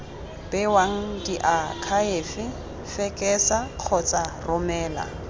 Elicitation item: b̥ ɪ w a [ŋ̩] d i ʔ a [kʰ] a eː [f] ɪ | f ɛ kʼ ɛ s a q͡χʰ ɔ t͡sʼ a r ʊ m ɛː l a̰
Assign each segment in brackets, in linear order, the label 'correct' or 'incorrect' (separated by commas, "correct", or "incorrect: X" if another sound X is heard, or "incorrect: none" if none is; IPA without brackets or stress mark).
correct, correct, correct